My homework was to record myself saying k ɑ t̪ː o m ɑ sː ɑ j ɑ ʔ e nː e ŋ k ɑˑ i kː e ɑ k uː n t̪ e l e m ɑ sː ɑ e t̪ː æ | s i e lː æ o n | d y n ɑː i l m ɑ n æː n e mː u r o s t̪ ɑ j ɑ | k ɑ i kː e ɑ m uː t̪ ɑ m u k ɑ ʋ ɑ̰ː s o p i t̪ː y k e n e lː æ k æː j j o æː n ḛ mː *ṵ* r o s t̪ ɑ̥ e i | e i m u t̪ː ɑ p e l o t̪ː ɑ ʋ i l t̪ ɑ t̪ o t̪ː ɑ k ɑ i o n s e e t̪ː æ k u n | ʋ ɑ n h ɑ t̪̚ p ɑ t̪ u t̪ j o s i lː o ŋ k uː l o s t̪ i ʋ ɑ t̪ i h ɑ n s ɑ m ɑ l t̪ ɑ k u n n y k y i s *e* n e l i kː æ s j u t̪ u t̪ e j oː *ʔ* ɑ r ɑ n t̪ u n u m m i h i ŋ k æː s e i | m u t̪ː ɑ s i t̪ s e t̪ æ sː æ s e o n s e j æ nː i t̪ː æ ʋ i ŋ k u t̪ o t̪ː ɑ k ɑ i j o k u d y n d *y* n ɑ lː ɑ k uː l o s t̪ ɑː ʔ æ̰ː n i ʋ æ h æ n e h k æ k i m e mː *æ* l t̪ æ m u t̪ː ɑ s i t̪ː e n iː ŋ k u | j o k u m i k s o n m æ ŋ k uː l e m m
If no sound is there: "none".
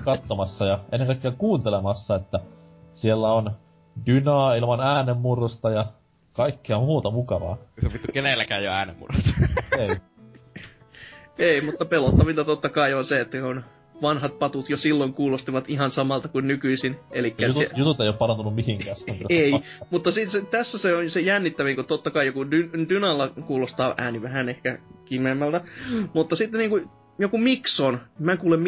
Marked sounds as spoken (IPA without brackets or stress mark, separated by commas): ṵ, i, p, y, æ